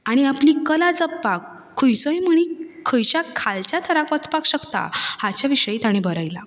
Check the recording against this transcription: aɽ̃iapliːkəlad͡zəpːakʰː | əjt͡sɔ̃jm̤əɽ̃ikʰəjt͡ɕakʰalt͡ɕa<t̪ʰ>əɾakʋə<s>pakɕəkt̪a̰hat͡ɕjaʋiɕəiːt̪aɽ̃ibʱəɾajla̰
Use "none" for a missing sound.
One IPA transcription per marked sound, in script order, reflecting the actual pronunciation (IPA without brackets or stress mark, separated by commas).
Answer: t̪ʰ, t͡s